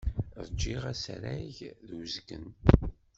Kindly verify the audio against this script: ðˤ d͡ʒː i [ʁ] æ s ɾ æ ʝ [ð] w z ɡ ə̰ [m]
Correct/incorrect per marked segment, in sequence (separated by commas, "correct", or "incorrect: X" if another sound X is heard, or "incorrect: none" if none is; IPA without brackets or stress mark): correct, correct, incorrect: n